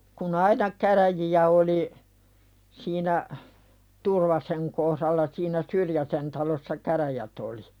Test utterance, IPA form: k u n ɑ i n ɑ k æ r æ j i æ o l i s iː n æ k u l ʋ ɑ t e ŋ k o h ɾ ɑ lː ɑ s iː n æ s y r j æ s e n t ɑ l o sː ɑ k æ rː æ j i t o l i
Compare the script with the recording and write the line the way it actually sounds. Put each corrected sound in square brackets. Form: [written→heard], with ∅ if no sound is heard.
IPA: k u n ɑ i n ɑ k æ r æ j i æ o l i s iː n æ [k→t] u [l→r] ʋ ɑ [t→s] e ŋ k o h ɾ ɑ lː ɑ s iː n æ s y r j æ s e n t ɑ l o sː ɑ k æ [rː→r] æ j [i→æ] t o l i